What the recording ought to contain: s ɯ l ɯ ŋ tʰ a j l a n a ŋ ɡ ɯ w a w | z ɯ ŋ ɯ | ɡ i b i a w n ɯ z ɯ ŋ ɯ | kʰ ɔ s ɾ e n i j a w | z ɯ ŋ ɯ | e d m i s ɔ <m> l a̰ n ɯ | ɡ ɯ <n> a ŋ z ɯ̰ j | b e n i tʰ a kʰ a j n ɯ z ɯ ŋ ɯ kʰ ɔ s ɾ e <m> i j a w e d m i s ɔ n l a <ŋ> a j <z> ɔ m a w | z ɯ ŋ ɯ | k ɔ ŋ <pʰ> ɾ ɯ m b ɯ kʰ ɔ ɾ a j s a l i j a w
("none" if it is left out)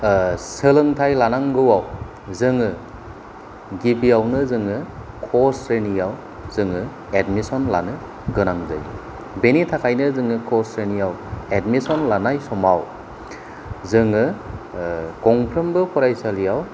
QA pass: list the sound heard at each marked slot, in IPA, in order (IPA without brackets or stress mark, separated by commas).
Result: n, n, n, n, s, pʰ